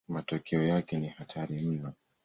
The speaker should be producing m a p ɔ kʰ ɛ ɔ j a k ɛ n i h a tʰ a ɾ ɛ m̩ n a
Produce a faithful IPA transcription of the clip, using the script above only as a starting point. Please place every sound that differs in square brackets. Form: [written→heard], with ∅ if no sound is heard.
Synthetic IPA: m a [p→t] ɔ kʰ ɛ ɔ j a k ɛ n i h a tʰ a ɾ [ɛ→i] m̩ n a